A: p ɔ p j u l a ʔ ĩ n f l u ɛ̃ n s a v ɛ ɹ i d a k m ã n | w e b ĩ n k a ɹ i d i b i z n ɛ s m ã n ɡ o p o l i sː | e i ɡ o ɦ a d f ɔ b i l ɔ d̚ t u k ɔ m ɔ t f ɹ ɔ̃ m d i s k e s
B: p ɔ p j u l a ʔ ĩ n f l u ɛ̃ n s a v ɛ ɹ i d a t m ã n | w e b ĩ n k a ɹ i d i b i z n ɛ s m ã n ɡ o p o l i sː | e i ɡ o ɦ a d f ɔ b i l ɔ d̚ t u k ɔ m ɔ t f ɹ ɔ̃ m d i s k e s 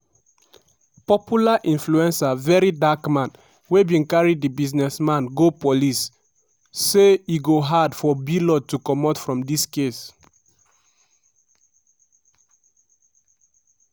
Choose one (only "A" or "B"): A